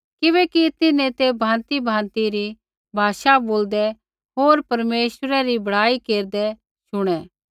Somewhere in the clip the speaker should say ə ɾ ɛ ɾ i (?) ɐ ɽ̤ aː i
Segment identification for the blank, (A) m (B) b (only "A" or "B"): B